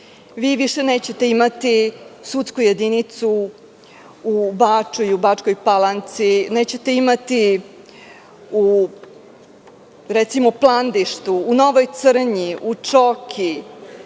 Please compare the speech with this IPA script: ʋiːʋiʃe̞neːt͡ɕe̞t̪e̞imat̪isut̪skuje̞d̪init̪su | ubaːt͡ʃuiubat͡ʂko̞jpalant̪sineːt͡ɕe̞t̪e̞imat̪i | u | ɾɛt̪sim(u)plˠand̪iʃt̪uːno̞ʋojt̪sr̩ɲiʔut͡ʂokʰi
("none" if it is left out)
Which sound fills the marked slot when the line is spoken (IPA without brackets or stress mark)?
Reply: o